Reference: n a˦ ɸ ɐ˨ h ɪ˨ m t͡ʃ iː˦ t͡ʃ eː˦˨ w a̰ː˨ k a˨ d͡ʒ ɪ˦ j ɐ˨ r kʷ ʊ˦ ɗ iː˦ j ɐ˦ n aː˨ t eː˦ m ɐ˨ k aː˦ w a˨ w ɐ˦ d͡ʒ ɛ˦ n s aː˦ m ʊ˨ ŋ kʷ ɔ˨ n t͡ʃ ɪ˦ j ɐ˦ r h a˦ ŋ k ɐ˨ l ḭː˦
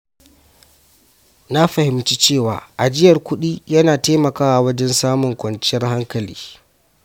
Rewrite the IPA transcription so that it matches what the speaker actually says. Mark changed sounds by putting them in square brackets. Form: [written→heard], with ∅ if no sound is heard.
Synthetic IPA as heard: n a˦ ɸ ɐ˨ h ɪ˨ m t͡ʃ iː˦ t͡ʃ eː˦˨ w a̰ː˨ [k→ʔ] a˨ d͡ʒ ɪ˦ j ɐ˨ r kʷ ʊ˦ ɗ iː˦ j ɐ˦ n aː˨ t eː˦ m ɐ˨ k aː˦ w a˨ w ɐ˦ d͡ʒ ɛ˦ n s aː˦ m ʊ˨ ŋ kʷ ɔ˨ n t͡ʃ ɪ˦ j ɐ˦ r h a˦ ŋ k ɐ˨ l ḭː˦